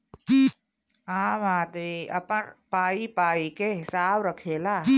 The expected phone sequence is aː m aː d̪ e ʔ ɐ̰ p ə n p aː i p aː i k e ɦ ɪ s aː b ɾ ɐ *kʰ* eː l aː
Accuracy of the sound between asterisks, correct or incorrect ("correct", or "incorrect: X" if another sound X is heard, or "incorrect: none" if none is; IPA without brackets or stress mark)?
correct